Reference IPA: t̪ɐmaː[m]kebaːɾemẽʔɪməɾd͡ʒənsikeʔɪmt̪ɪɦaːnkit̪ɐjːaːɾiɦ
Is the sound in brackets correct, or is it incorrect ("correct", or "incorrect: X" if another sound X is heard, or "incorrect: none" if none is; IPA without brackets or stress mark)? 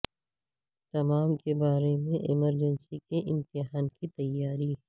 correct